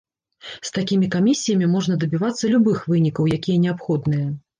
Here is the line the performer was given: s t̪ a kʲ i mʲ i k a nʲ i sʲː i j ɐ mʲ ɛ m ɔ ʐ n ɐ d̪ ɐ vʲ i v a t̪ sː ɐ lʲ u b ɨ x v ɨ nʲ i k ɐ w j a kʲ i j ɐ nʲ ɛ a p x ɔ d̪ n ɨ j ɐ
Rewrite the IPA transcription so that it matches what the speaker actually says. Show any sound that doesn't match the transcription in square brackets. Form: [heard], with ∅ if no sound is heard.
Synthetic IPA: s t̪ a kʲ i mʲ i k a [mʲ] i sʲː i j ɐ mʲ [i] m ɔ ʐ n ɐ d̪ ɐ [bʲ] i v a t̪ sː ɐ lʲ u b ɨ x v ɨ nʲ i k ɐ w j a kʲ i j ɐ nʲ ɛ a p x ɔ d̪ n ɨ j ɐ